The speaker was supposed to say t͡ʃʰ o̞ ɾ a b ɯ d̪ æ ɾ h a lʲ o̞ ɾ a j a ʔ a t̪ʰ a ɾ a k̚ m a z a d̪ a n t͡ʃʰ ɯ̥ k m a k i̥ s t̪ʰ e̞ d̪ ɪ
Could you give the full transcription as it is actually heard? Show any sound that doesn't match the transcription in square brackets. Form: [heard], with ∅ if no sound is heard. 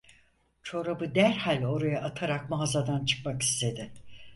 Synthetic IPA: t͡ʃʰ o̞ ɾ a b ɯ d̪ æ ɾ h a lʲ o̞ ɾ a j a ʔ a t̪ʰ a ɾ a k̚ m a z a d̪ a n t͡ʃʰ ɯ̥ k m a k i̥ s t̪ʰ e̞ d̪ ɪ